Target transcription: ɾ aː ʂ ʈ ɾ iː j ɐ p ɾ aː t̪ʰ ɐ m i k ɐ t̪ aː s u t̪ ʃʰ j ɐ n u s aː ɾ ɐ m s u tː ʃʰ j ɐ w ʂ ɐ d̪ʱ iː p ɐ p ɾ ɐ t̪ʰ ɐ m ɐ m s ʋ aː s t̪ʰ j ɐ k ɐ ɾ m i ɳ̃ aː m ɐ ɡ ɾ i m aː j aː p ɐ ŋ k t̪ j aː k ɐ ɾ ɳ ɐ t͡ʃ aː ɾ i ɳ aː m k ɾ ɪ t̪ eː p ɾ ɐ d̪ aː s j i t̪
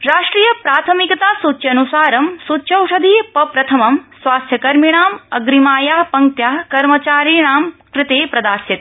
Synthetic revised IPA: ɾ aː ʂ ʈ ɾ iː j ɐ p ɾ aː t̪ʰ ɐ m i k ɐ t̪ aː s u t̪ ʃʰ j ɐ n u s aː ɾ ɐ m s u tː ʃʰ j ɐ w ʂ ɐ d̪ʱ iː p ɐ p ɾ ɐ t̪ʰ ɐ m ɐ m s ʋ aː s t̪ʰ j ɐ k ɐ ɾ m i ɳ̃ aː m ɐ ɡ ɾ i m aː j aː p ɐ ŋ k t̪ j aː k ɐ ɾ m ɐ t͡ʃ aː ɾ i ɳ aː m k ɾ ɪ t̪ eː p ɾ ɐ d̪ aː s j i t̪